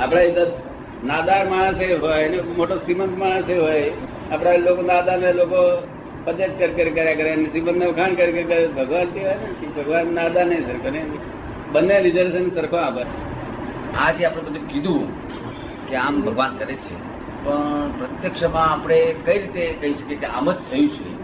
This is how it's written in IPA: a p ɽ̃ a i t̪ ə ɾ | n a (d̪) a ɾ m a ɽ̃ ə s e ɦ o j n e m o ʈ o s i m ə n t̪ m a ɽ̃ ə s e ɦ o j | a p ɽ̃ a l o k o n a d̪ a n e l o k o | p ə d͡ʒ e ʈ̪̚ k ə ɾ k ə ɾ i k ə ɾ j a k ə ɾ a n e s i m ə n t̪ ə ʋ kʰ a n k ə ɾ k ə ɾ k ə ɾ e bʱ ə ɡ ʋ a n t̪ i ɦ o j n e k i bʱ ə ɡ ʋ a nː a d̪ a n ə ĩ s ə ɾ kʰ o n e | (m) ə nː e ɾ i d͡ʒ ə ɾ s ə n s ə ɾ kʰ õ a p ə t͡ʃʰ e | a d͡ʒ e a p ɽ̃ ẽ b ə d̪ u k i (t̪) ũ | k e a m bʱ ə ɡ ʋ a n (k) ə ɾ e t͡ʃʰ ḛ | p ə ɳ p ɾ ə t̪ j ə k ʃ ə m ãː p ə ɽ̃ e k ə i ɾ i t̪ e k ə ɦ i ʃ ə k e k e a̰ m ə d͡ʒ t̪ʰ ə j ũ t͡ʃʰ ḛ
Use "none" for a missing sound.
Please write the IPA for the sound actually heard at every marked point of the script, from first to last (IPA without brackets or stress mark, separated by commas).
d̪, b, d̪, k